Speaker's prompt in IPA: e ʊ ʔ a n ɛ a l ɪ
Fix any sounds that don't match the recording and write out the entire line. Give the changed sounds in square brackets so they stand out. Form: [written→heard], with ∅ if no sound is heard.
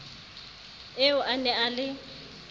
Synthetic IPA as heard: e ʊ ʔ a n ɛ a l ɪ